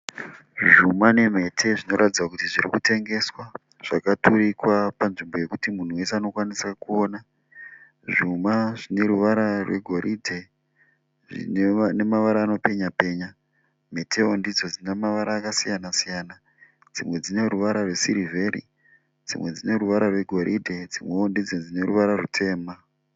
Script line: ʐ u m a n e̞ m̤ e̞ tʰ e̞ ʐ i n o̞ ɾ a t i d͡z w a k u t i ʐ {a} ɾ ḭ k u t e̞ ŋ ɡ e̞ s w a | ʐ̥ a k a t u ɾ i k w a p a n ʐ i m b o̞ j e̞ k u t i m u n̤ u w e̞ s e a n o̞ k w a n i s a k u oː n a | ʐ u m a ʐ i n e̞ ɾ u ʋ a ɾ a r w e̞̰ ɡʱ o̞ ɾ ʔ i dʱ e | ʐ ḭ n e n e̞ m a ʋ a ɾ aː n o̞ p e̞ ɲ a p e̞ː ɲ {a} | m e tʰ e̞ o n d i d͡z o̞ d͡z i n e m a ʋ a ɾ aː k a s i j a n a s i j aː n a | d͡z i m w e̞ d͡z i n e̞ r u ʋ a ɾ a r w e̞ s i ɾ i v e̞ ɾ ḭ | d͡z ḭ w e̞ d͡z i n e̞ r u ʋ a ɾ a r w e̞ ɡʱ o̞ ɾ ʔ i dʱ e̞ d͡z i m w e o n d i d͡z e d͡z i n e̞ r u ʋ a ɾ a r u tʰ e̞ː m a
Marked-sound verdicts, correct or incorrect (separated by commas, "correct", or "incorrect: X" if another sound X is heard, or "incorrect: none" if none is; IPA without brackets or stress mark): incorrect: i, correct